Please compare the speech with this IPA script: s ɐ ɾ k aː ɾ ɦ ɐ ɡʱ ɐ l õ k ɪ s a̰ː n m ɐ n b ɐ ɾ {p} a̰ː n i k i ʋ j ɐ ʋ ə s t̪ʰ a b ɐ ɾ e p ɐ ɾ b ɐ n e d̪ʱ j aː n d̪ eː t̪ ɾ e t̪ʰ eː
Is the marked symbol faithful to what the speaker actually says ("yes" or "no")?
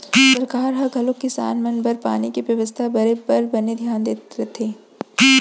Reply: yes